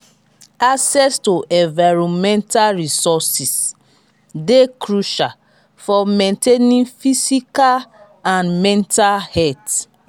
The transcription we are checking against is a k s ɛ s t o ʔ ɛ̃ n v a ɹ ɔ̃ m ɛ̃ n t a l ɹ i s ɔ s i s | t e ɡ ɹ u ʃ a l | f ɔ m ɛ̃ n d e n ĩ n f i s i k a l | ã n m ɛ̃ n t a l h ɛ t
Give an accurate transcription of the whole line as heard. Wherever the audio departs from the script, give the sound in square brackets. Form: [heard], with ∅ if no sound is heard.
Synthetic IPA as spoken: a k s ɛ s t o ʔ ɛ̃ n v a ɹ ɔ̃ m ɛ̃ n t a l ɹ i s ɔ s i s | [d] e [k] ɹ u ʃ a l | f ɔ m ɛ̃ n [t] e n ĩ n f i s i k a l | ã n m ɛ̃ n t a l h ɛ t